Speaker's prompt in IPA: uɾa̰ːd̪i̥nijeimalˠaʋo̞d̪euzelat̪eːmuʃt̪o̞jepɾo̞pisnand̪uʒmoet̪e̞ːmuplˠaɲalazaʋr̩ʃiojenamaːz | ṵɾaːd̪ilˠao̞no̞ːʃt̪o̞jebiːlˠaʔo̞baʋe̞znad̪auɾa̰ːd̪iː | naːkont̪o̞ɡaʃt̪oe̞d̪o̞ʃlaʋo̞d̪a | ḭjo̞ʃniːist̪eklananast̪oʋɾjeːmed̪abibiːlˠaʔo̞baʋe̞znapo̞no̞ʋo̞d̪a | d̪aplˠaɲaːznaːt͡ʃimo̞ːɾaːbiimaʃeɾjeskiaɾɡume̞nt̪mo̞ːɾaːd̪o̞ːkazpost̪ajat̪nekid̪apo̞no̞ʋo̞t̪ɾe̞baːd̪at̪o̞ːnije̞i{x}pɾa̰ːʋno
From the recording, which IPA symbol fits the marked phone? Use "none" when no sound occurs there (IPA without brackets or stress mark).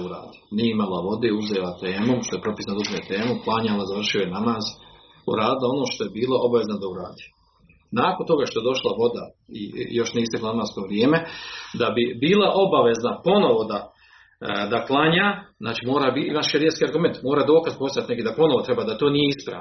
s